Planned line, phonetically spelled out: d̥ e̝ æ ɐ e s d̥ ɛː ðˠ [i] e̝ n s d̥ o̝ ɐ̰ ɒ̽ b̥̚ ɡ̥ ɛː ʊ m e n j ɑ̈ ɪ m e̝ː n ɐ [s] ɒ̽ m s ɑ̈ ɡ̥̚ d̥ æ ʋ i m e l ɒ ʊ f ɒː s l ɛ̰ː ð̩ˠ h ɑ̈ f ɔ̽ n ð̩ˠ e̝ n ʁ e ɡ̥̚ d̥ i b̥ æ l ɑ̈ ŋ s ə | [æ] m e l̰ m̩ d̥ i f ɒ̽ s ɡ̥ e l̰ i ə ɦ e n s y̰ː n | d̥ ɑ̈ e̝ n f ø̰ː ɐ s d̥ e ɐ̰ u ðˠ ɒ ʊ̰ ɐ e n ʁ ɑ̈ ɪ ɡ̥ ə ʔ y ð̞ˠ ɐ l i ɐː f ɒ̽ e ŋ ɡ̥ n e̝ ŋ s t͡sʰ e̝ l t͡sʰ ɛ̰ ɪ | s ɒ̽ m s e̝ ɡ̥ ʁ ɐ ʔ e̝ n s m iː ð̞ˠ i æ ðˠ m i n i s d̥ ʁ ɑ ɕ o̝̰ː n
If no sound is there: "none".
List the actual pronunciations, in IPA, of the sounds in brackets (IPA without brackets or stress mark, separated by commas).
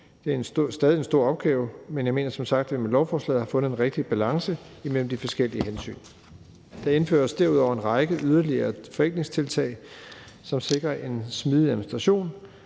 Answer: i, s, i